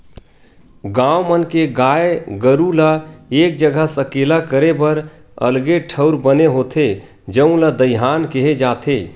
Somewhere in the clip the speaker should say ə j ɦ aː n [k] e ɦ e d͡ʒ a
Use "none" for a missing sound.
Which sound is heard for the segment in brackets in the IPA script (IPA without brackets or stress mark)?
k